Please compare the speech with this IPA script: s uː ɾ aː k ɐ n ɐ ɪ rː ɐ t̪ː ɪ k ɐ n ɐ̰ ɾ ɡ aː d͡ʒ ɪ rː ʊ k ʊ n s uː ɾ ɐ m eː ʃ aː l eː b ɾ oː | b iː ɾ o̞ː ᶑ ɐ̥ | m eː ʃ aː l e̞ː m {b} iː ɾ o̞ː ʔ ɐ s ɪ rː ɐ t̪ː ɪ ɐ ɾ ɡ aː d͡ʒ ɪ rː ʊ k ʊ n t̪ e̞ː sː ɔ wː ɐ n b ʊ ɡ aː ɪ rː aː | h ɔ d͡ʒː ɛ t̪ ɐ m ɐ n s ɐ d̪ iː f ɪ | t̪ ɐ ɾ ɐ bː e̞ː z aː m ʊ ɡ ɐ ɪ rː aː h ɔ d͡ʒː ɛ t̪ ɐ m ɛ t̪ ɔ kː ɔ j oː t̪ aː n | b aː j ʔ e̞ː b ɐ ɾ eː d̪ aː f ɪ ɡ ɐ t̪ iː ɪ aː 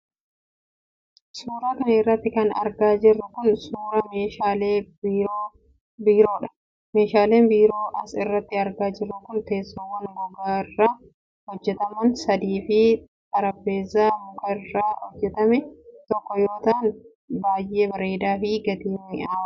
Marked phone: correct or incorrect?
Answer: correct